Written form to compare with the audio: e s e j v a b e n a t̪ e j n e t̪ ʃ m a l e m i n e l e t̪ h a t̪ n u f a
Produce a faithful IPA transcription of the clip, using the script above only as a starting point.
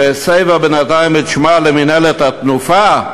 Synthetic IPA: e s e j v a b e n a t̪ a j m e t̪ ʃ m a l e m i n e l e t̪ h a t̪ n u f a